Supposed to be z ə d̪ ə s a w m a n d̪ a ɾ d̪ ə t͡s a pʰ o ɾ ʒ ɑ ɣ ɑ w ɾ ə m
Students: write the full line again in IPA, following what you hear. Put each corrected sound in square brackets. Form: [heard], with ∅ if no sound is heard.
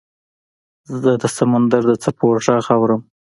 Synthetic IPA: z ə d̪ ə s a [∅] m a n d̪ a ɾ d̪ ə t͡s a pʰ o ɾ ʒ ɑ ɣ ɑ w ɾ ə m